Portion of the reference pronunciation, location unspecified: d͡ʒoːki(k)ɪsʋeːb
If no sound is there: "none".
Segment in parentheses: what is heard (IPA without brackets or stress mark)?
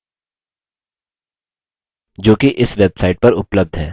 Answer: ʔ